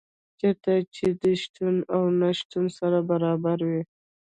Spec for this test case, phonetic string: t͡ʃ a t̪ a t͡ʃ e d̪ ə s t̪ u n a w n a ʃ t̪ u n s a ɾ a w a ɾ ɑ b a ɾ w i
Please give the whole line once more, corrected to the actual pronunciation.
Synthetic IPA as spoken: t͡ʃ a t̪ a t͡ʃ e d̪ ə ʃ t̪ u n a w n a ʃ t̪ u n s a ɾ a b a ɾ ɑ b a ɾ w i